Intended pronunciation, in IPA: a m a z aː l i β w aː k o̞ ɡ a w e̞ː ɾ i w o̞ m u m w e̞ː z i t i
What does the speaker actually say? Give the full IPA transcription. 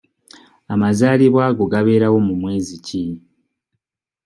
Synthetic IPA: a m a z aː l i β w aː ɡ o̞ ɡ a β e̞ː ɾ a w o̞ m u m w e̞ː z i c i